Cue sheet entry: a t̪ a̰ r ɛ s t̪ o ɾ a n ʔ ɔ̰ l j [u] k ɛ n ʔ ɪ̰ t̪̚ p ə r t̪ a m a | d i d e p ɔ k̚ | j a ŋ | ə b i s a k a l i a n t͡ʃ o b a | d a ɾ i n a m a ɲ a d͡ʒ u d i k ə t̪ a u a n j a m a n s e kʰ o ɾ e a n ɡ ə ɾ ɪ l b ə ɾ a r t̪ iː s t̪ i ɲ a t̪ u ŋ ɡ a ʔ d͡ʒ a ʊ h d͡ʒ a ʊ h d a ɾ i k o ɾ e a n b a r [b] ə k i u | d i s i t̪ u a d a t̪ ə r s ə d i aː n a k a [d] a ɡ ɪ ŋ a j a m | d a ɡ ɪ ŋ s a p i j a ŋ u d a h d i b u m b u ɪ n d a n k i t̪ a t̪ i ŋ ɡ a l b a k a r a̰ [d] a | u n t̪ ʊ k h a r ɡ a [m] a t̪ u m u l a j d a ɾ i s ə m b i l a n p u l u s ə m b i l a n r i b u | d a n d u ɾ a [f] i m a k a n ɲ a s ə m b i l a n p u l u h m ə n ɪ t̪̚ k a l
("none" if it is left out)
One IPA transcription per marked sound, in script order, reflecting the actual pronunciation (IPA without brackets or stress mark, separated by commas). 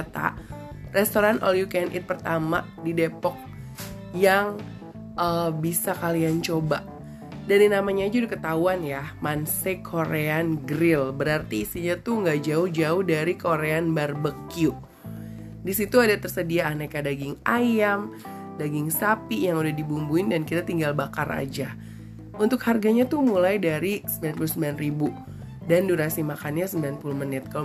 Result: u, b, d, d͡ʒ, ɲ, s